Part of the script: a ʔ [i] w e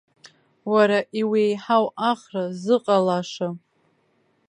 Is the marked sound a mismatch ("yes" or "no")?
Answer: no